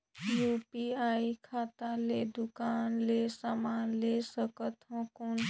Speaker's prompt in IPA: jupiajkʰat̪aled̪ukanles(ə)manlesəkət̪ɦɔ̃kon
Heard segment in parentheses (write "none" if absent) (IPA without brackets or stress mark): a